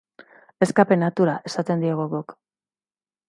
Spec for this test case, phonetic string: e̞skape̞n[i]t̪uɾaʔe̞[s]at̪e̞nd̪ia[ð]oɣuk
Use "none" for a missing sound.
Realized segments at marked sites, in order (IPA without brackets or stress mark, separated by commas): a, s, ɣ